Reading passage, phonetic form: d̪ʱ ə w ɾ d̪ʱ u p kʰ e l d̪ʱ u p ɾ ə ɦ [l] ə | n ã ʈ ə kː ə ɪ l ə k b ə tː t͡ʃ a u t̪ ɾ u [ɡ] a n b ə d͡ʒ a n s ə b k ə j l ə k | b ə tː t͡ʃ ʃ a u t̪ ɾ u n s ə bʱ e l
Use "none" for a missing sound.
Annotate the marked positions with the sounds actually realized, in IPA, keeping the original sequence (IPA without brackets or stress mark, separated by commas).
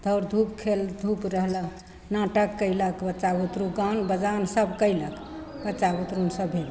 l, ɡ